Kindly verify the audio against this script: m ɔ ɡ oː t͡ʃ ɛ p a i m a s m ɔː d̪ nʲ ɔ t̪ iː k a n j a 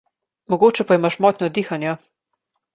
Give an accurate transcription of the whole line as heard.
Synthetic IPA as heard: m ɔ ɡ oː t͡ʃ ɛ p a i m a ʃ m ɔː t̪ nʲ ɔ d̪ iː x a n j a